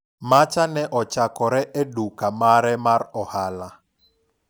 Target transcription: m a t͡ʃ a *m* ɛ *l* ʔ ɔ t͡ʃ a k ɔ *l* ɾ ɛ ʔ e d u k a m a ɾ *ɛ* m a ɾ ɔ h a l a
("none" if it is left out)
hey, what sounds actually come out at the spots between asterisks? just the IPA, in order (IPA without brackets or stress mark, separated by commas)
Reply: n, none, none, ɛ